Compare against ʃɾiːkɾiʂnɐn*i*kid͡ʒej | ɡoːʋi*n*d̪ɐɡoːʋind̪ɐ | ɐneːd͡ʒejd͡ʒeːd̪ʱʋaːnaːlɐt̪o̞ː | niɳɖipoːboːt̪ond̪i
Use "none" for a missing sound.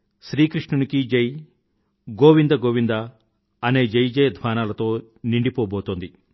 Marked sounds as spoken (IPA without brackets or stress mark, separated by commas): i, n